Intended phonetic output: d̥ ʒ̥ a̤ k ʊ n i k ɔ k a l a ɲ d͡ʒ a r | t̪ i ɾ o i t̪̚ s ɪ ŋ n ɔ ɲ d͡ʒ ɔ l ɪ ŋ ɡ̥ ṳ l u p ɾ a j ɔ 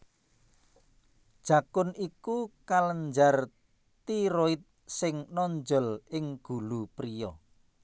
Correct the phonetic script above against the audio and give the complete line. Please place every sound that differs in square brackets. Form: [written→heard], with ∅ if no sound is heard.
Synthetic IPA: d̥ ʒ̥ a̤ k ʊ n i k [ɔ→u] k a l [a→ə] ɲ d͡ʒ a r | t̪ i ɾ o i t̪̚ s ɪ ŋ n ɔ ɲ d͡ʒ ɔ l ɪ ŋ ɡ̥ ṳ l u p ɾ [a→i] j ɔ